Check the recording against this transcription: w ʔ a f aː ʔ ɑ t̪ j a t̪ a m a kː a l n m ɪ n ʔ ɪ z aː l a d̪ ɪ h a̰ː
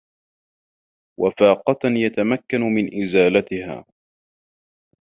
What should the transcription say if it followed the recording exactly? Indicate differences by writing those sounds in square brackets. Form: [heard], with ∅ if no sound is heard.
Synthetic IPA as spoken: w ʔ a f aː [q] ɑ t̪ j a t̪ a m a kː a [∅] n m ɪ n ʔ ɪ z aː l a [t̪] ɪ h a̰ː